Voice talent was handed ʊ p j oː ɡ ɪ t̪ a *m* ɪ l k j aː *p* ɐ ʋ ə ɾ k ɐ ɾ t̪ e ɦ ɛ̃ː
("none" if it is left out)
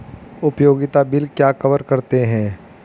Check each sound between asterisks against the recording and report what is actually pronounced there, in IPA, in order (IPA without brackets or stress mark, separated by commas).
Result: b, k